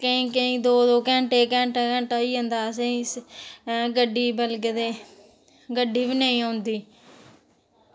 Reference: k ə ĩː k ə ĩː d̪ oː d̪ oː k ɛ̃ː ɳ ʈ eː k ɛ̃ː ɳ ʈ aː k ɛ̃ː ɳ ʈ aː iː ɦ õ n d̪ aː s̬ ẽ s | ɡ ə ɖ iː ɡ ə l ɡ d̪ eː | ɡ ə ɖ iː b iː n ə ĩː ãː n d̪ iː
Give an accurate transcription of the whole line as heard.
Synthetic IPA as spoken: k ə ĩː k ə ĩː d̪ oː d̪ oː k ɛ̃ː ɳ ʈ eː k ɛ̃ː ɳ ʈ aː k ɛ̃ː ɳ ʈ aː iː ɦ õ n d̪ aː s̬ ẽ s | ɡ ə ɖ iː b ə l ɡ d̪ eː | ɡ ə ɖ iː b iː n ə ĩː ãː n d̪ iː